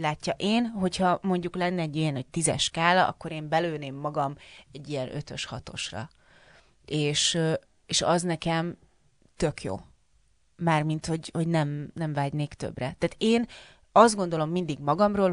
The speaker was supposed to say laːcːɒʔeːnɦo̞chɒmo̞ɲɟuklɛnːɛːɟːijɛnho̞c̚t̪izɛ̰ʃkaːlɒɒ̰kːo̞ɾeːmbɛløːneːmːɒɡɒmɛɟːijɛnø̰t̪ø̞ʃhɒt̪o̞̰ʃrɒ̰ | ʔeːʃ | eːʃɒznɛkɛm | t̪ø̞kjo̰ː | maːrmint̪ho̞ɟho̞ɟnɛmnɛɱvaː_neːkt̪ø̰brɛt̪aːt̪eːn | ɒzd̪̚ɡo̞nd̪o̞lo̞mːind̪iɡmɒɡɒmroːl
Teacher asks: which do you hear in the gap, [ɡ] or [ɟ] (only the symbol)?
ɟ